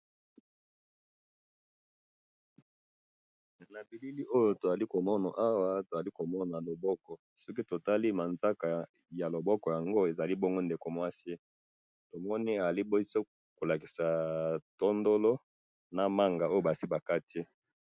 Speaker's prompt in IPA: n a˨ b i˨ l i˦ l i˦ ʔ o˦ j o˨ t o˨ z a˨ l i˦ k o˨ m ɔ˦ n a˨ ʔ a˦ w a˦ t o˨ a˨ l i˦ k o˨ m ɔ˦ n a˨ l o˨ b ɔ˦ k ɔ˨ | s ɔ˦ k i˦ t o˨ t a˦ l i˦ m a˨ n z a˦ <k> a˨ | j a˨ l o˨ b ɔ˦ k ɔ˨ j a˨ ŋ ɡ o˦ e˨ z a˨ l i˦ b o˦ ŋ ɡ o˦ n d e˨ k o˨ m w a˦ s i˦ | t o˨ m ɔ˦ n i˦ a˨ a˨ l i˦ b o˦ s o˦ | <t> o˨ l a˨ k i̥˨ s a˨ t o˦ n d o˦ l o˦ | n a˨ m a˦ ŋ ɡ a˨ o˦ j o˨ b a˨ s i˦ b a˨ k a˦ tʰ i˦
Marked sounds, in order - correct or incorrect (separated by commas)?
correct, incorrect